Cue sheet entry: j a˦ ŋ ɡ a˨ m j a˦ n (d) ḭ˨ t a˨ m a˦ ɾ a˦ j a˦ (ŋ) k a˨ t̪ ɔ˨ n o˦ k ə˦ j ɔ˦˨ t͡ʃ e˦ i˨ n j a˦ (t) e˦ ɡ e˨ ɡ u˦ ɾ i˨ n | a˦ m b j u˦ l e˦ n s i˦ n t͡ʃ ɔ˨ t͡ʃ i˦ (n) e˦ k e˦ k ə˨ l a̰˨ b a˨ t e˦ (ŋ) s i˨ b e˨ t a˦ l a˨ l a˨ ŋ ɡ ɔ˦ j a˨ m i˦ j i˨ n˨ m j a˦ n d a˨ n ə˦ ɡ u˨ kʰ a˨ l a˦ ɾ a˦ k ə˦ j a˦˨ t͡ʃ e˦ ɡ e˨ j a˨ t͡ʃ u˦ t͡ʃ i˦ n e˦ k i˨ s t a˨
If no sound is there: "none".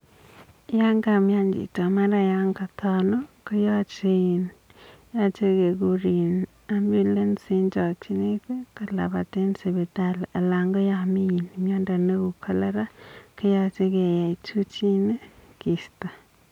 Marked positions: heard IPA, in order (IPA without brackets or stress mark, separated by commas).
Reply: d͡ʒ, ŋ, t͡ʃ, n, n